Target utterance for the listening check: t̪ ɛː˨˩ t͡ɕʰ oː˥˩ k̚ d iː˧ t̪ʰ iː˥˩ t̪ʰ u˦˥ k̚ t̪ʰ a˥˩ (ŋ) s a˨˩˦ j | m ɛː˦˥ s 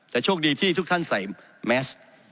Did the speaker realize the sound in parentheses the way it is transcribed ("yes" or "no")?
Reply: no